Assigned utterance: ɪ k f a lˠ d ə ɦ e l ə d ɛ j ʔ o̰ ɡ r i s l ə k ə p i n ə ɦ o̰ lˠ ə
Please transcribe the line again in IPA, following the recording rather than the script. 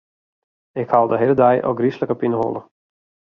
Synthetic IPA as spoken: ɪ k h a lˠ d ə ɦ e l ə d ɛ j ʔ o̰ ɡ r i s l ə k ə p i n ə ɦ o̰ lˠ ə